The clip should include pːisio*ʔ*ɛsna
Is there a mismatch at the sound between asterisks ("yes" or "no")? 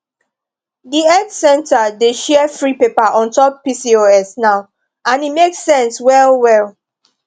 yes